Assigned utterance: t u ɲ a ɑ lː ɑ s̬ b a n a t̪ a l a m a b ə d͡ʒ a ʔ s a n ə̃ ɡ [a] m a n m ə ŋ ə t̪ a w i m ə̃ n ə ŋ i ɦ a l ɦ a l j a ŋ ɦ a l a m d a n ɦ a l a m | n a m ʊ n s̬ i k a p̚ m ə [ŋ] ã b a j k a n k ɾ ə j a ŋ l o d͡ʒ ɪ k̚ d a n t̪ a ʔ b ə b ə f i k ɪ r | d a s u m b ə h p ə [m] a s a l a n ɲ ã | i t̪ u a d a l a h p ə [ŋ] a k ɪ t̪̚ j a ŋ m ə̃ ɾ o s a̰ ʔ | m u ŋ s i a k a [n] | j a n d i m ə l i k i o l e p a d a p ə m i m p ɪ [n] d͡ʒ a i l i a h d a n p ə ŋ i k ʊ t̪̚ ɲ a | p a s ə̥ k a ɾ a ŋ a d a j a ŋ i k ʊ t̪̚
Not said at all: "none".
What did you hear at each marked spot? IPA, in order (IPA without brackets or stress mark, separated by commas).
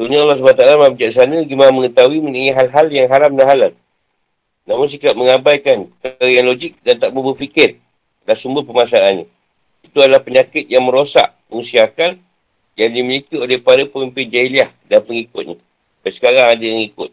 i, ŋ, m, ɲ, n, n